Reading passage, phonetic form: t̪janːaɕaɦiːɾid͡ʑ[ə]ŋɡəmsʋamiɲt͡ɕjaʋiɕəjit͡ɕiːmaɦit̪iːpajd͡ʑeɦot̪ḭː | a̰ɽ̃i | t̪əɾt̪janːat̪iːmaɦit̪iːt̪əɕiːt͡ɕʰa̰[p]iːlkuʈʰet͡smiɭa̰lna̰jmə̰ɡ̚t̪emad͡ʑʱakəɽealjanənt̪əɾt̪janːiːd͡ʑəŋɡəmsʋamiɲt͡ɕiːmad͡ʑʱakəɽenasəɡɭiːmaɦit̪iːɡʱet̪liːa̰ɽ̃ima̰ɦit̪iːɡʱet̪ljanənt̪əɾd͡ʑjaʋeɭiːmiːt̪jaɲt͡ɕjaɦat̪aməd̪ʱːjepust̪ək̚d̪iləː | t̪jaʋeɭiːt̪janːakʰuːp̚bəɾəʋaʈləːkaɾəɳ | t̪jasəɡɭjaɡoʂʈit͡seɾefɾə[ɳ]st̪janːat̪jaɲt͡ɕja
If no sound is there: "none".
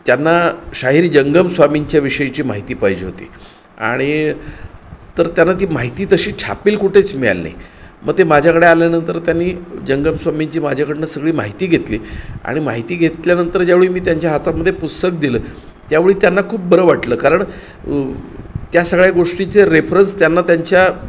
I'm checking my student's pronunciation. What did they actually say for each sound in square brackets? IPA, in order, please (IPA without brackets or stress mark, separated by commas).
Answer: ə, p, n